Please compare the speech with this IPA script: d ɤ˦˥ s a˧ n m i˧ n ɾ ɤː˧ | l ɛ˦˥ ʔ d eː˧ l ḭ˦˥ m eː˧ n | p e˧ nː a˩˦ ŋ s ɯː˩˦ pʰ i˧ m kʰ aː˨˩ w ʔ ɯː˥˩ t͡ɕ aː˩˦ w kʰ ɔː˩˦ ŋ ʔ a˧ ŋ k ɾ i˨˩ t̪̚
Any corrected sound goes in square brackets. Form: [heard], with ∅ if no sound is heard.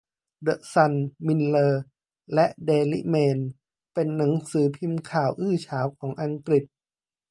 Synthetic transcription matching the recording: d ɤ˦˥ s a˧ n m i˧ n [l] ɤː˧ | l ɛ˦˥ ʔ d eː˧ l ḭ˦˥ m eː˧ n | p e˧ nː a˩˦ ŋ s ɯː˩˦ pʰ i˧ m kʰ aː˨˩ w ʔ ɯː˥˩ [t͡ɕʰ] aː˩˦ w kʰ ɔː˩˦ ŋ ʔ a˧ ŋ k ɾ i˨˩ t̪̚